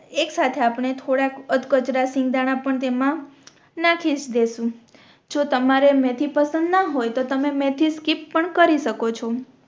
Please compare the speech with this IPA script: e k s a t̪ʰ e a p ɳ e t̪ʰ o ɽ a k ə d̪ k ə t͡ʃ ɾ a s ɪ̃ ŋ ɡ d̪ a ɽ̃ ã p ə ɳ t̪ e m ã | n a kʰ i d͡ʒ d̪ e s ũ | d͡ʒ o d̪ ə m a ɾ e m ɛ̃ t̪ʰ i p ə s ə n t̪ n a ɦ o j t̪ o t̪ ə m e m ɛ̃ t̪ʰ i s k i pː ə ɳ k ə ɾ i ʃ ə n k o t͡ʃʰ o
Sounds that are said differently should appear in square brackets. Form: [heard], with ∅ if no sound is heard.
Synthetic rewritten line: e k s a t̪ʰ e a p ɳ e t̪ʰ o ɽ a k ə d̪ k ə t͡ʃ ɾ a s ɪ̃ ŋ ɡ d̪ a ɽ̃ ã p ə ɳ t̪ e m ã | n a kʰ i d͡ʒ d̪ e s ũ | d͡ʒ o [t̪] ə m a ɾ e m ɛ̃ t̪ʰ i p ə s ə n [d̪] n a ɦ o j t̪ o t̪ ə m e m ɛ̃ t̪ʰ i s k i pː ə ɳ k ə ɾ i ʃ ə [∅] k o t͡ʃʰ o

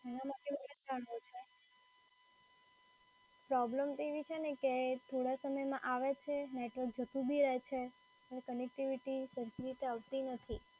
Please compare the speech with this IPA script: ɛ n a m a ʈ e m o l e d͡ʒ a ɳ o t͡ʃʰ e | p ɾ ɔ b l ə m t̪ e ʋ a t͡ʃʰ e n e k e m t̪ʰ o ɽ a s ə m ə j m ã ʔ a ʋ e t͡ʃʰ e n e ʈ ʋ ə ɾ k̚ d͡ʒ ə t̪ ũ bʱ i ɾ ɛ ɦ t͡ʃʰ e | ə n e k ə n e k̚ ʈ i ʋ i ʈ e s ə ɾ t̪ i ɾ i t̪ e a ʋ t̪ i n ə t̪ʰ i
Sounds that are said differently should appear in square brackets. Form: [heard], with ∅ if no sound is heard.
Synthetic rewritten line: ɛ n a m a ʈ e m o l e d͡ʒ a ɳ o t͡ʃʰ e | p ɾ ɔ b l ə m t̪ e ʋ [i] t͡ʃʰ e n e k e [∅] t̪ʰ o ɽ a s ə m ə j m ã ʔ a ʋ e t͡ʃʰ e n e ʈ ʋ ə ɾ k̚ d͡ʒ ə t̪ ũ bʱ i ɾ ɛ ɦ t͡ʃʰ e | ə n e k ə n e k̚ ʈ i ʋ i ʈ [i] s ə ɾ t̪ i ɾ i t̪ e a ʋ t̪ i n ə t̪ʰ i

